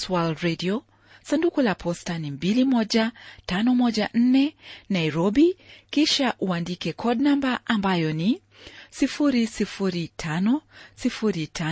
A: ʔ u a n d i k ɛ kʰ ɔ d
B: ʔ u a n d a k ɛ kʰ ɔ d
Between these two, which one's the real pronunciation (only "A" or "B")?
A